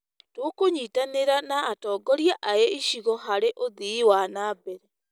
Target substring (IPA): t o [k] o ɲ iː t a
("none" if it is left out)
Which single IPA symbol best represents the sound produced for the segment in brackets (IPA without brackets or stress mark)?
k